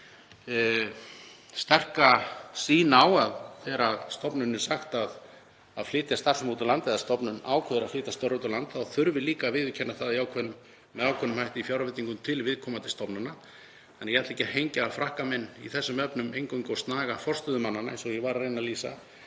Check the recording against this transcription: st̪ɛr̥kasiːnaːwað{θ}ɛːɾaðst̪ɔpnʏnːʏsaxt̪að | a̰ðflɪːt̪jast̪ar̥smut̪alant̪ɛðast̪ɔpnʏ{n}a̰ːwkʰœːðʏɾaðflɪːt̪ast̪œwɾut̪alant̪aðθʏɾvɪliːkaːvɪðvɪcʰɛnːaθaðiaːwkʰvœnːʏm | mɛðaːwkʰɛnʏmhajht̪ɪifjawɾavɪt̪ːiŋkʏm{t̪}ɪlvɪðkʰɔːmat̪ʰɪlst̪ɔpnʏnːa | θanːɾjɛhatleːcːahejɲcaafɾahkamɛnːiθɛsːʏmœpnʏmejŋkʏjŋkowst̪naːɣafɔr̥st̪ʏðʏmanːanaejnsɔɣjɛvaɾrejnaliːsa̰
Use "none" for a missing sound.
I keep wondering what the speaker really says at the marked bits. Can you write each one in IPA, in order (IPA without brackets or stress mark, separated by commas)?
θ, n, t̪ʰ